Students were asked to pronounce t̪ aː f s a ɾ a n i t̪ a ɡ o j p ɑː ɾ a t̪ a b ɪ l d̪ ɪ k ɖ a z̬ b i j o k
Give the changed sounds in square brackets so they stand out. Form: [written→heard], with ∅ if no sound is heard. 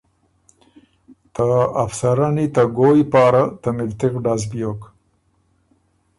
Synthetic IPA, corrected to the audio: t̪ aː f s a ɾ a n i t̪ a ɡ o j p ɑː ɾ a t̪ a [b→m] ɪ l [d̪→t̪] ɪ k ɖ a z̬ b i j o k